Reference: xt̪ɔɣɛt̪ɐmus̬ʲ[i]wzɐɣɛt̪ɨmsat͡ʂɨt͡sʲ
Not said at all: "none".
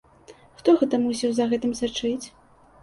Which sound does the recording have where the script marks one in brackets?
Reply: i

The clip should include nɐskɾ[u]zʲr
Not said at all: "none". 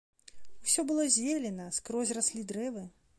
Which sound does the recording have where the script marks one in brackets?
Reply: ɔ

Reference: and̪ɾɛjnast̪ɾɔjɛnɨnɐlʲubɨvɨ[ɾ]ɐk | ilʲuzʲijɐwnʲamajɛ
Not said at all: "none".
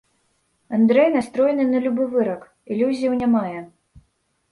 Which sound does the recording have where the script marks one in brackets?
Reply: ɾ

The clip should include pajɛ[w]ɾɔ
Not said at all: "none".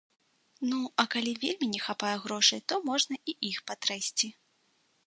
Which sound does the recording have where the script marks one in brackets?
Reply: ɣ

